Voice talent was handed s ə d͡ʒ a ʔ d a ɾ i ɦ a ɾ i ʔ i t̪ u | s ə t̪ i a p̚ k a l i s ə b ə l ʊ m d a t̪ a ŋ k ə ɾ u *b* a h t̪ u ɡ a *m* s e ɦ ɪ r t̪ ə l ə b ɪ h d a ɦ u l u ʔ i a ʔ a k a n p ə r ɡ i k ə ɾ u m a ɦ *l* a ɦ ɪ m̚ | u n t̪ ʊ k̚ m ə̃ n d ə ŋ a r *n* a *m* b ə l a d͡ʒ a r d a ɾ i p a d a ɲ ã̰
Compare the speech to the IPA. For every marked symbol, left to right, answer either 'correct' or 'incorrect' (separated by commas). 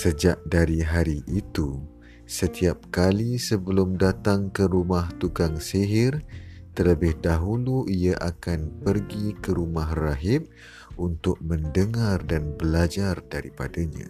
incorrect, incorrect, incorrect, incorrect, incorrect